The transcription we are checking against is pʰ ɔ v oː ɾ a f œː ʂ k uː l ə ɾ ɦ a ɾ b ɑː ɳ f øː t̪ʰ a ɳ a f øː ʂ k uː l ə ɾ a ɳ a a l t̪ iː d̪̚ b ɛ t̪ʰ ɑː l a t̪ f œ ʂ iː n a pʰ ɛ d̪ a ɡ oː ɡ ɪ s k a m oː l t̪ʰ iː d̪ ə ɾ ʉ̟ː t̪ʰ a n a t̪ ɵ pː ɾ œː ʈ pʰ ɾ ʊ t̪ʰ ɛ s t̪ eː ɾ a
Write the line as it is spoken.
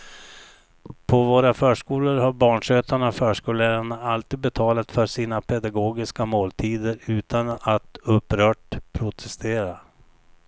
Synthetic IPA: pʰ ɔ v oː ɾ a f œː ʂ k uː l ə ɾ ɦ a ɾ b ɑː ɳ ʂ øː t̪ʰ a ɳ a f œː ʂ k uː l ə ɾ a ɳ a a l t̪ iː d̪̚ b ɛ t̪ʰ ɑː l a t̪ f œ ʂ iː n a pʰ ɛ d̪ a ɡ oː ɡ ɪ s k a m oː l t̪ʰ iː d̪ ə ɾ ʉ̟ː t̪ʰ a n a t̪ ɵ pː ɾ œː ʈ pʰ ɾ ʊ t̪ʰ ɛ s t̪ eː ɾ a

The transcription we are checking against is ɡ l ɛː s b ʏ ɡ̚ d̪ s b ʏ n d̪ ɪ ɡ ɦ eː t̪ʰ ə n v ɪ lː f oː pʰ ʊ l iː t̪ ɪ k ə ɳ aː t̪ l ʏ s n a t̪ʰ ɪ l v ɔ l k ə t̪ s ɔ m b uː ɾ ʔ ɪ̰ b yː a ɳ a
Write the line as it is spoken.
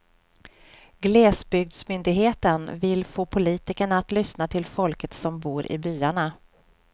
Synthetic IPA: ɡ l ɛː s b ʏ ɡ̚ d̪ s m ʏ n d̪ ɪ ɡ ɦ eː t̪ ə n v ɪ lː f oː pʰ ʊ l iː t̪ ɪ k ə ɳ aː t̪ l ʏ s n a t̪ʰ ɪ l f ɔ l k ə t̪ s ɔ m b uː ɾ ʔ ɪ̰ b yː a ɳ a

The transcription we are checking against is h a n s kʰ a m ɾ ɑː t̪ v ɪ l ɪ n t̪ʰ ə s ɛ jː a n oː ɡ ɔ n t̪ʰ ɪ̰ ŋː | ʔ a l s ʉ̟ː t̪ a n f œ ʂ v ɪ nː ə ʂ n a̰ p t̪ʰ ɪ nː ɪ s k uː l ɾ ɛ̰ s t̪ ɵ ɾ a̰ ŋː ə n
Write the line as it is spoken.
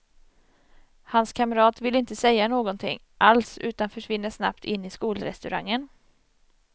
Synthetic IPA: h a n s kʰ a m ɾ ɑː t̪ v ɪ l ɪ n t̪ ə s ɛ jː a n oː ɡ ɔ n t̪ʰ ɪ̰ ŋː | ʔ a l s ʉ̟ː t̪ a n f œ ʂ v ɪ nː ə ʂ n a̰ p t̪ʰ ɪ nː ɪ s k uː l ɾ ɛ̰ s t̪ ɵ ɾ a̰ ŋː ə n

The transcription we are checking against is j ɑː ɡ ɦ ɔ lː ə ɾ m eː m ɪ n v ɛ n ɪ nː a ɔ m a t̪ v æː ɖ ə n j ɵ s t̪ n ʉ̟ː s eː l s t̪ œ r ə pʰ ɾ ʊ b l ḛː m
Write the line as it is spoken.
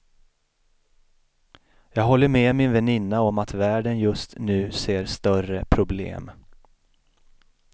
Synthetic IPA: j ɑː ɡ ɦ ɔ lː ə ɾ m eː m ɪ n v ɛ n ɪ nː a ɔ m a t̪ v æː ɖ ə n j ɵ s t̪ n ʉ̟ː s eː ɾ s t̪ œ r ə pʰ ɾ ʊ b l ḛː m

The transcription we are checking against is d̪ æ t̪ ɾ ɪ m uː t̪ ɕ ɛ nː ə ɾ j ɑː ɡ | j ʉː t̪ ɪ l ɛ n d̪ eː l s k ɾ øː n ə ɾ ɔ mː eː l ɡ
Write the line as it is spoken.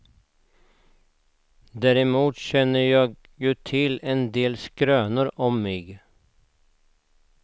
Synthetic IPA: d̪ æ ɾ ɪ m uː t̪ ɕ ɛ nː ə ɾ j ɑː ɡ | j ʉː t̪ʰ ɪ l ɛ n d̪ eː l s k ɾ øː n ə ɾ ɔ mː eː ɡ

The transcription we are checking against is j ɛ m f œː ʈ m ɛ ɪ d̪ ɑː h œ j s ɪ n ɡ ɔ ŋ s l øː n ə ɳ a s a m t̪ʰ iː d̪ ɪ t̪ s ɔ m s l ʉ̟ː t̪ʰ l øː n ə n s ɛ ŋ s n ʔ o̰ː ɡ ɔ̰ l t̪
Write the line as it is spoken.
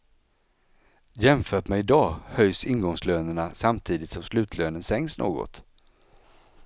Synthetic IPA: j ɛ m f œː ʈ m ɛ ɪ d̪ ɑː h œ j s ɪ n ɡ ɔ ŋ s l øː n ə ɳ a s a m t̪ʰ iː d̪ ɪ t̪ s ɔ m s l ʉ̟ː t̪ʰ l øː n ə n s ɛ ŋ s n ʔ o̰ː ɡ ɔ̰ t̪

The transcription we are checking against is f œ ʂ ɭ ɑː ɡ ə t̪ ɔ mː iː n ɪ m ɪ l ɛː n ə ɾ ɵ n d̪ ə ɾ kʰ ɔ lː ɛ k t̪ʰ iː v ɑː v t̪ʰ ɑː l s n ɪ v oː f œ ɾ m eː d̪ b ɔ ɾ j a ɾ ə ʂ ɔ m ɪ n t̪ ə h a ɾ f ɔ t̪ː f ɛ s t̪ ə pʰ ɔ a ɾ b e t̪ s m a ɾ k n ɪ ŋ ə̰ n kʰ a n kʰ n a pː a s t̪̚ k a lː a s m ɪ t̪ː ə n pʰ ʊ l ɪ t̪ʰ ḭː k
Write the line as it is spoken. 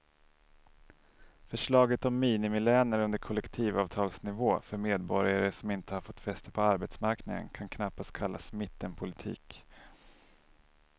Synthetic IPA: f œ ʂ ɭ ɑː ɡ ə t̪ ɔ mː iː n ɪ m ɪ l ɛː n ə ɾ ɵ n d̪ ə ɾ kʰ ɔ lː ɛ k t̪ʰ iː v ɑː v t̪ʰ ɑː l s n ɪ v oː f œ ɾ m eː d̪ b ɔ ɾ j a ɾ ə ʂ ɔ m ɪ n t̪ ə h a ɾ f ɔ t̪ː f ɛ s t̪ ə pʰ ɔ a ɾ b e t̪ s m a ɾ k n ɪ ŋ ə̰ n kʰ a n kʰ n a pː a s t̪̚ kʰ a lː a s m ɪ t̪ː ə n pʰ ʊ l ɪ t̪ʰ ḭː k

